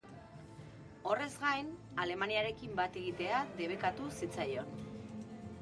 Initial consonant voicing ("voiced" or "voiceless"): voiced